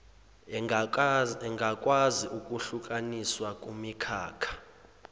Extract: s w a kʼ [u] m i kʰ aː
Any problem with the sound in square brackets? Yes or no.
no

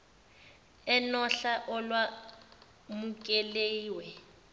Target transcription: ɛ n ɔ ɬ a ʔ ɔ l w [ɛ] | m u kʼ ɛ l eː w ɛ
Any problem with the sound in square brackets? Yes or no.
yes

